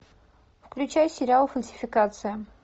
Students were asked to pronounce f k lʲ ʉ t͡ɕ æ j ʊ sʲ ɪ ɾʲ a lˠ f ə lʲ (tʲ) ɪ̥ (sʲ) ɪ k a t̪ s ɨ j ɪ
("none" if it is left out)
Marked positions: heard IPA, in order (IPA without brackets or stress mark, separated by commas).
sʲ, fʲ